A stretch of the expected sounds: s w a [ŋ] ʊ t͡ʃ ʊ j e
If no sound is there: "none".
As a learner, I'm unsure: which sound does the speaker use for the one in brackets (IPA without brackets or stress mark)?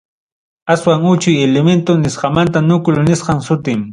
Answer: ŋ